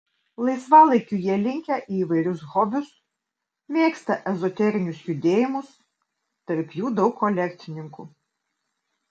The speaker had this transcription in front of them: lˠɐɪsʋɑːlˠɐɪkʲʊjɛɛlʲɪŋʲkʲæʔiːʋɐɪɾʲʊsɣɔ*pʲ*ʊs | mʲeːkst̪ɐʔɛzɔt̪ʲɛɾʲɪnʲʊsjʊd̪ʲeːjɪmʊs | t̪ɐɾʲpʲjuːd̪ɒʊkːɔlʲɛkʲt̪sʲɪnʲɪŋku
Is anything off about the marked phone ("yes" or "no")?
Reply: yes